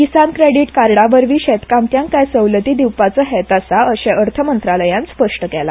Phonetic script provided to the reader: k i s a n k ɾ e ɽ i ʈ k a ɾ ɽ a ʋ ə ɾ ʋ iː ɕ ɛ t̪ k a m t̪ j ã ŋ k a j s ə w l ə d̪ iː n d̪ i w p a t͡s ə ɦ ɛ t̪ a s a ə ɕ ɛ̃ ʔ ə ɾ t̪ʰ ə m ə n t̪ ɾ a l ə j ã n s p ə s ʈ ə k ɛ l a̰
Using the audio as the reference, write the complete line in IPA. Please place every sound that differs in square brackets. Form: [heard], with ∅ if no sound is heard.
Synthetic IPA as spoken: k i s a n k ɾ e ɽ i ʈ k a ɾ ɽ a ʋ ə ɾ ʋ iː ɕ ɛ t̪ k a m t̪ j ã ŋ k a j s ə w l ə [t̪] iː [∅] d̪ i w p a t͡s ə ɦ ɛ t̪ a s a ə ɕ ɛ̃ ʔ ə ɾ t̪ʰ ə m ə n t̪ ɾ a l ə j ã n s p ə [ʂ] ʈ ə k ɛ l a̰